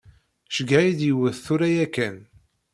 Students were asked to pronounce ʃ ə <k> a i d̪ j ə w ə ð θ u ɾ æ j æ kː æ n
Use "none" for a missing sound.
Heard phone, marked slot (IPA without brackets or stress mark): ɡ